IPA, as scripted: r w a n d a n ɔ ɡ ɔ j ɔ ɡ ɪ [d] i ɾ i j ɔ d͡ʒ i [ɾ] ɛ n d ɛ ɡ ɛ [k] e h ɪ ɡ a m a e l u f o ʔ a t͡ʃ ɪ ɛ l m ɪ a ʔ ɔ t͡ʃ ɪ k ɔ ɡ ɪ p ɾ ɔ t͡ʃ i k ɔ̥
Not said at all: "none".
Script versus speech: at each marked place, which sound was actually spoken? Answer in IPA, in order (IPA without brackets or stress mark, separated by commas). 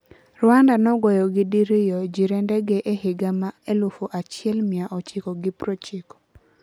d, ɾ, ʔ